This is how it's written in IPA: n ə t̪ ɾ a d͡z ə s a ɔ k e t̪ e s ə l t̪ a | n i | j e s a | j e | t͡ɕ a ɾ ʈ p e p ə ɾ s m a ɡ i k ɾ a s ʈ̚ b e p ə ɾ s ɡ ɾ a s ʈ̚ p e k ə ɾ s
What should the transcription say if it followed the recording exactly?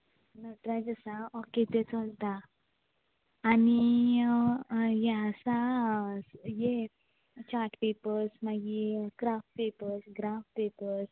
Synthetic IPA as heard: n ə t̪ ɾ a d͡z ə s a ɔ k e t̪ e t͡s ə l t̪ a | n i | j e s a | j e | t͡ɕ a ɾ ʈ p e p ə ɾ s m a ɡ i k ɾ a f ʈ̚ p e p ə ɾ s ɡ ɾ a f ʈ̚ p e p ə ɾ s